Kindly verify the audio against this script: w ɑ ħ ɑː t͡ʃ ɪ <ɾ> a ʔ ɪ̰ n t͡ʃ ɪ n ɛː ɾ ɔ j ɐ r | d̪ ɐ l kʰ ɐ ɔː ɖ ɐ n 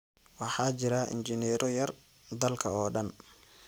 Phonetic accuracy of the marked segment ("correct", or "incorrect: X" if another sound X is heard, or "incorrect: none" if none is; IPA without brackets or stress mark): correct